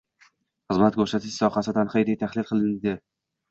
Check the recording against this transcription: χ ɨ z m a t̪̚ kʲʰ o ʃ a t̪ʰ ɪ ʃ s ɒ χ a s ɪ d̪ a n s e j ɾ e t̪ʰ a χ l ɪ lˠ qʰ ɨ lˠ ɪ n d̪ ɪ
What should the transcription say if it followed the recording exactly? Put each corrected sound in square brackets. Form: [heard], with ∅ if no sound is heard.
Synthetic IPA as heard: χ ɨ z m a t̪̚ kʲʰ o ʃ a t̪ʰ ɪ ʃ s ɒ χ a s ɪ d̪ a n [χ] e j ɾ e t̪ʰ a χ l ɪ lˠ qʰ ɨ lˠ ɪ n d̪ ɪ